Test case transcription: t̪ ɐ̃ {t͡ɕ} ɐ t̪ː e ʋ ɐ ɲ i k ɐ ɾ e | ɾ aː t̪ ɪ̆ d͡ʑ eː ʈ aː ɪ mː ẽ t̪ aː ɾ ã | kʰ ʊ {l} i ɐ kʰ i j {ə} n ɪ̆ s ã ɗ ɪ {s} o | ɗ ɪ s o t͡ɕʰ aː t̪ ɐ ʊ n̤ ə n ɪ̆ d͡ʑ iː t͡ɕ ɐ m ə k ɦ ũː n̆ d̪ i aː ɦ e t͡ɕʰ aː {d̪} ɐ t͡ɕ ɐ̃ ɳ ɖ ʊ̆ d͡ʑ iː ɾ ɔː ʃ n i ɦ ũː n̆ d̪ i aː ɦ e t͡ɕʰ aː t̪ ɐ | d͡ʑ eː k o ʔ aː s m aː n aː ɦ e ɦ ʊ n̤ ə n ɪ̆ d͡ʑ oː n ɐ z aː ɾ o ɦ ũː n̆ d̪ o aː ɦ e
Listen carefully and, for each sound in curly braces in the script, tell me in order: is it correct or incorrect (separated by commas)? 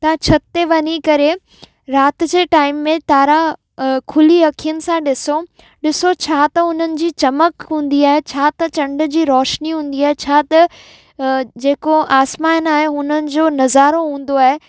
incorrect, correct, correct, correct, incorrect